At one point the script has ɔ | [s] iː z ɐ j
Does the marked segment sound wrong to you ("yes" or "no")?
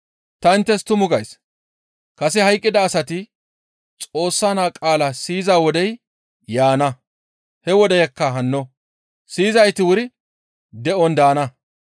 no